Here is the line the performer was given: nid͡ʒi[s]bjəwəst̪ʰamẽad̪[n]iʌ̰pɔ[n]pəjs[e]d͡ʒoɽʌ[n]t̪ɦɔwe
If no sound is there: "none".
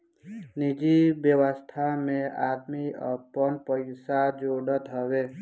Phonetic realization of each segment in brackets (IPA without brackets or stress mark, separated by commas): none, m, n, a, none